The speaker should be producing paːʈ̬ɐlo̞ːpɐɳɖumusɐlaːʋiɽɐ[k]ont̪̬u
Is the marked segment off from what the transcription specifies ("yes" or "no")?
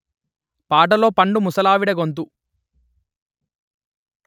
yes